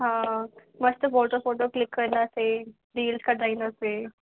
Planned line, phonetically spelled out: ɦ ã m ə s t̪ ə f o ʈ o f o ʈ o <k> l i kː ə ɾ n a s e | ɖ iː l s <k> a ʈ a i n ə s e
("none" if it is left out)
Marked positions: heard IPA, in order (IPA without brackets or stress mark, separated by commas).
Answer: k, k